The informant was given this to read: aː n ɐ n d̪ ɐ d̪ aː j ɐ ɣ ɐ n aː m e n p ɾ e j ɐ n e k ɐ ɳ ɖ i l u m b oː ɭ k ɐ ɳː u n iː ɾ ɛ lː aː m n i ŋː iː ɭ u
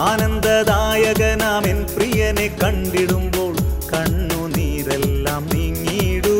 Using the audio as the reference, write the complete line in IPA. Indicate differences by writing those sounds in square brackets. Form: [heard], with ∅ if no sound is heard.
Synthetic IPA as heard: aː n ɐ n d̪ ɐ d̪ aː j ɐ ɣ ɐ n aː m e n p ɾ [i] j ɐ n e k ɐ ɳ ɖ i [ɽ] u m b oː ɭ k ɐ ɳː u n iː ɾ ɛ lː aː m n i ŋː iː [ɽ] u